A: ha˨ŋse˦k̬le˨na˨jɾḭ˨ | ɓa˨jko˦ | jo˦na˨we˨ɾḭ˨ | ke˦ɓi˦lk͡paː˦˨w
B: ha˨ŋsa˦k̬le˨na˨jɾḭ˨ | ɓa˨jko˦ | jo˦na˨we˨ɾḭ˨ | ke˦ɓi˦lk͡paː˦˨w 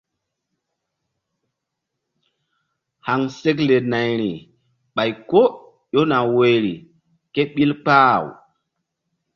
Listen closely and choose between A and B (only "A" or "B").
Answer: A